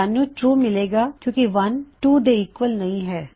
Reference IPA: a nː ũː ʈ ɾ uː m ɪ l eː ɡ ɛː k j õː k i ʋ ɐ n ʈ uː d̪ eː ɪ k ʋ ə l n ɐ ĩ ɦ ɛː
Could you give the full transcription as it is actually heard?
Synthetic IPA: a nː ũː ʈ ɾ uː m ɪ l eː ɡ aː k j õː k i ʋ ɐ n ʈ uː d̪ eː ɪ k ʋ ə l n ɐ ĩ ɦ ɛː